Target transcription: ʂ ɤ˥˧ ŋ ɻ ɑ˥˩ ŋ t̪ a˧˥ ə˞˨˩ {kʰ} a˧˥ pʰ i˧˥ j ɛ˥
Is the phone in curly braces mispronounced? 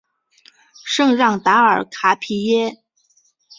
no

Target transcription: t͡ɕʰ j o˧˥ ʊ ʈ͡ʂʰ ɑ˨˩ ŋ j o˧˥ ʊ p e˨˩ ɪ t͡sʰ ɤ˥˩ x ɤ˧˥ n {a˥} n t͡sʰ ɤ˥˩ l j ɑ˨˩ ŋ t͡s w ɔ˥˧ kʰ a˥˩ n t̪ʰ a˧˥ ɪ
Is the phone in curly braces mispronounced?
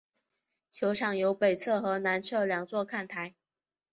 yes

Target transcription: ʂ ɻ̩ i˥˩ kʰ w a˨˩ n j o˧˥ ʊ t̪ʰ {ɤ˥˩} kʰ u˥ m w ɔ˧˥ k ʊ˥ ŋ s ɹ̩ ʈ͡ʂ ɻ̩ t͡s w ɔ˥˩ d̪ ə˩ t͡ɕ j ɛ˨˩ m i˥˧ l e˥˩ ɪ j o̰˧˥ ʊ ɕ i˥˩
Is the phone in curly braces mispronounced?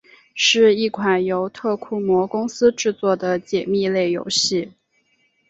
no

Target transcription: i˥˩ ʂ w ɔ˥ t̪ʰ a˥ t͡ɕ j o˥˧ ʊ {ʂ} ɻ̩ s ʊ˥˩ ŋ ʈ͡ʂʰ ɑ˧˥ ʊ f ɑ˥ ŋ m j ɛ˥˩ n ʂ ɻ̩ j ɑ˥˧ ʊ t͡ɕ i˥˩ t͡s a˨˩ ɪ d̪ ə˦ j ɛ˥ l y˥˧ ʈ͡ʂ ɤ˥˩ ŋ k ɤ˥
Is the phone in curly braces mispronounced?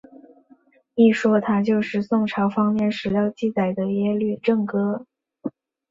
no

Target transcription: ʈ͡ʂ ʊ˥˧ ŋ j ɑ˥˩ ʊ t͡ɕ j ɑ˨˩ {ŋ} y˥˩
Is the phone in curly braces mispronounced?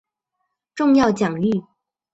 no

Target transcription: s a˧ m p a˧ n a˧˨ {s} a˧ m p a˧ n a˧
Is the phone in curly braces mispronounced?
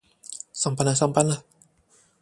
no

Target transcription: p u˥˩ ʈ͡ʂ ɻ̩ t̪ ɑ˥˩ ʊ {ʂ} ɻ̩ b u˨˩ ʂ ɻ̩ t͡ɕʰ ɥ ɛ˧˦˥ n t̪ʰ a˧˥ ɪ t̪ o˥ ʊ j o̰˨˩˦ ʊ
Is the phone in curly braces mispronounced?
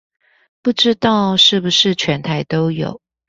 no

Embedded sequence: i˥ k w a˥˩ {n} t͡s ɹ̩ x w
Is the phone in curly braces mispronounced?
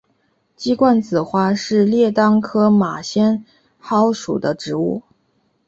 no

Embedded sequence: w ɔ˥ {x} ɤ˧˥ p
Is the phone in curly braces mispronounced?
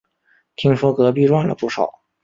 yes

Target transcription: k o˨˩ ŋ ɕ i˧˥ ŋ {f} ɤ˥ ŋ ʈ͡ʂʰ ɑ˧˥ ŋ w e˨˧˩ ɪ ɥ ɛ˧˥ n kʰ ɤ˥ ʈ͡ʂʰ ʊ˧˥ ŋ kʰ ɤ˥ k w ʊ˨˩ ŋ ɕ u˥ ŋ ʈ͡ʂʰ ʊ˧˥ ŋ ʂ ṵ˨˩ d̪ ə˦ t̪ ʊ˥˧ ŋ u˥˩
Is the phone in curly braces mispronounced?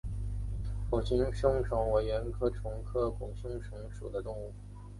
yes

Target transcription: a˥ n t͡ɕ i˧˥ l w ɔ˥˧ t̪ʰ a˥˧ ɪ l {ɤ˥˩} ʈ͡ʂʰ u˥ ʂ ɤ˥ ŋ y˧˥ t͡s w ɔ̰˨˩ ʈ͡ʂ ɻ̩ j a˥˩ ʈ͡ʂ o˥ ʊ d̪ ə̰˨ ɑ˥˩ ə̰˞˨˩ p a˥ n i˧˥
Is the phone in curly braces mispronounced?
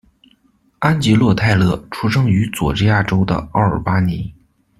no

